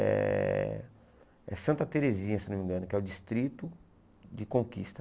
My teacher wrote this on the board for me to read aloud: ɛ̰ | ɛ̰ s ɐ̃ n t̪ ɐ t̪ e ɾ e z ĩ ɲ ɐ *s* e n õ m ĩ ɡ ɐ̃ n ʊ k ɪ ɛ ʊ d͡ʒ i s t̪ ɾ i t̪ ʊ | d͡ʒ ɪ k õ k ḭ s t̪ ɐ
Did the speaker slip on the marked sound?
no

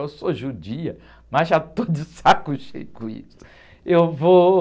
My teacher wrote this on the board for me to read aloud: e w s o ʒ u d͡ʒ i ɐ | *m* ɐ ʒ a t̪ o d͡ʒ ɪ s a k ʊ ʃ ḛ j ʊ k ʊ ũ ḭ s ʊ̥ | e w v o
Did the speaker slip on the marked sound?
no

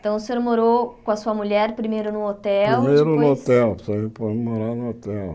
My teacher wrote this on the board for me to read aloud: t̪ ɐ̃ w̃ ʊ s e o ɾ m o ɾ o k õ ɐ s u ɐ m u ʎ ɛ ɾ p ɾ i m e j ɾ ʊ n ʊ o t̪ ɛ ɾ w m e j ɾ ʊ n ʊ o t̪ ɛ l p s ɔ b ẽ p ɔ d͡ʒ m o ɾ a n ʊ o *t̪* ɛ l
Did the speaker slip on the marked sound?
no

